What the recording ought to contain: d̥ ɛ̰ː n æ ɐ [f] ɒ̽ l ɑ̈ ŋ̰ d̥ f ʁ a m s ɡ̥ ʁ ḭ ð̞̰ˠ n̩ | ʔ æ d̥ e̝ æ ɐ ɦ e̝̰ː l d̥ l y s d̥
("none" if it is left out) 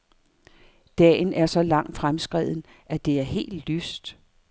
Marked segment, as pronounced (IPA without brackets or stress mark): s